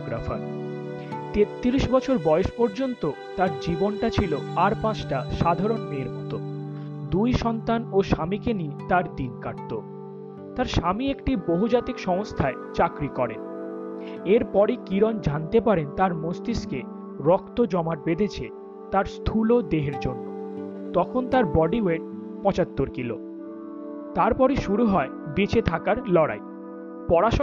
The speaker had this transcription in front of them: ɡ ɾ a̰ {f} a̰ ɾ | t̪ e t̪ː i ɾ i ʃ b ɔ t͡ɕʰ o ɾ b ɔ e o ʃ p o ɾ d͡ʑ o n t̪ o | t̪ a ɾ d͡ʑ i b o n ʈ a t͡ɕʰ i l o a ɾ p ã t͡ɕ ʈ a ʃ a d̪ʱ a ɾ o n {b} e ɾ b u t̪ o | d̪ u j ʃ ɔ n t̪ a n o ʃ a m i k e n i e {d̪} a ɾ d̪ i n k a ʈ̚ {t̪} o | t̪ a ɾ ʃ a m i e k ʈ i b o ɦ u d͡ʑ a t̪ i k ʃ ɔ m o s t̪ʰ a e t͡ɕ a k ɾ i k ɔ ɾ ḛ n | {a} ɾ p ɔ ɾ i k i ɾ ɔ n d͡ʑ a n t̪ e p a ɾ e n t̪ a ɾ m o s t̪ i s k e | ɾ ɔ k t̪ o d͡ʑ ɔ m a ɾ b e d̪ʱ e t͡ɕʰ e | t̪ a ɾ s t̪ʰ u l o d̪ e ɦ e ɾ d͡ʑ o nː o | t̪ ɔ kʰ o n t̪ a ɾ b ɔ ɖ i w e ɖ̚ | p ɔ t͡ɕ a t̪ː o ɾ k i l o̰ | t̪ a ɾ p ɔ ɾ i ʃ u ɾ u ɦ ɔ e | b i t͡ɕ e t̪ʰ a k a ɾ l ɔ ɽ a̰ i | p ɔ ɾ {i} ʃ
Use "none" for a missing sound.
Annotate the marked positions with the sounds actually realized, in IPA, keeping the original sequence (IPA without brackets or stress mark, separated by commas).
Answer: f, m, t̪, t̪, e, a